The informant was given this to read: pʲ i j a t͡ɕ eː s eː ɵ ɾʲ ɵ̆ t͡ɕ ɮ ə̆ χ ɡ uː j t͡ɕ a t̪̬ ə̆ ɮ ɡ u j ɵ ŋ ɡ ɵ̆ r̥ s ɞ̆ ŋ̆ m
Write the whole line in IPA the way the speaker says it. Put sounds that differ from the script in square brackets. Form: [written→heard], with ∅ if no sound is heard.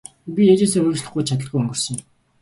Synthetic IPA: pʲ i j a t͡ɕ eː s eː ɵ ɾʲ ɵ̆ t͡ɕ ɮ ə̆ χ ɡ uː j [t͡ɕ→t͡ɕʰ] a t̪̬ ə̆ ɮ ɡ u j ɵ ŋ ɡ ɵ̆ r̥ s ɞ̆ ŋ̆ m